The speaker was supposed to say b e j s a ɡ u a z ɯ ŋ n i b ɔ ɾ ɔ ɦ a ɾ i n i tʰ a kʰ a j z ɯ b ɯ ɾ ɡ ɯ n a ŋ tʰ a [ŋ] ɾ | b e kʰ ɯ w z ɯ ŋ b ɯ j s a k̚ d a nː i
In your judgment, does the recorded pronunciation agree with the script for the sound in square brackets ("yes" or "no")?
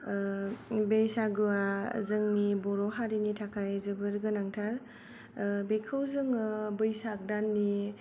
no